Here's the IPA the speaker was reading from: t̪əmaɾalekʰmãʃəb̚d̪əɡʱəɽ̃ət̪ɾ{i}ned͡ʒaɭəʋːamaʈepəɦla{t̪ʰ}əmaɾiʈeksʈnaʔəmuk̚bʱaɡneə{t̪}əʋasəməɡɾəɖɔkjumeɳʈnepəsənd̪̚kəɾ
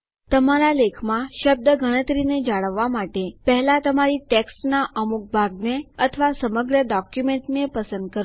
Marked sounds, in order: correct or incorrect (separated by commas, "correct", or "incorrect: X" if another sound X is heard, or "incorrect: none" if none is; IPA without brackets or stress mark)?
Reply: correct, incorrect: t̪, incorrect: t̪ʰ